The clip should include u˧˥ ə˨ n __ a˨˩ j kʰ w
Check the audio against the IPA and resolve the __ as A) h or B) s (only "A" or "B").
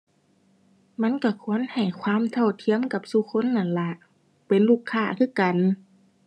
A